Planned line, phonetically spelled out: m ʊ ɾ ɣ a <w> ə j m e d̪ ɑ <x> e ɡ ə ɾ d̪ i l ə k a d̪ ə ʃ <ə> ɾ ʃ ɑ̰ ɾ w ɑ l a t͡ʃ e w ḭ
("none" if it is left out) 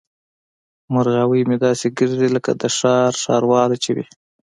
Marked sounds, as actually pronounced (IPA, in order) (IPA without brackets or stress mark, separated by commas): w, s, ɑ